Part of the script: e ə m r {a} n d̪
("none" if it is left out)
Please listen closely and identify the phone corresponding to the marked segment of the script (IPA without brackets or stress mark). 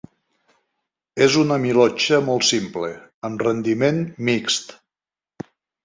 ə